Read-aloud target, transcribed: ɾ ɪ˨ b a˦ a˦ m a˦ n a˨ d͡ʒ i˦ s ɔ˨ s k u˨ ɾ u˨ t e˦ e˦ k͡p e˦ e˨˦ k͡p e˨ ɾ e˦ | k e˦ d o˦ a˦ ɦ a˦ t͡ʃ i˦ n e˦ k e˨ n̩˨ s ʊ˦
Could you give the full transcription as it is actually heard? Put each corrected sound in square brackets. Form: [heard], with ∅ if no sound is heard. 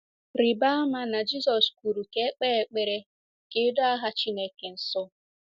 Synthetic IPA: ɾ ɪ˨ b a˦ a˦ m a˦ n a˨ d͡ʒ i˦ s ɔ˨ s k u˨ ɾ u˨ [k] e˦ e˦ k͡p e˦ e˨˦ k͡p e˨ ɾ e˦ | k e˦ d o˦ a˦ ɦ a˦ t͡ʃ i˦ n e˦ k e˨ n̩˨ s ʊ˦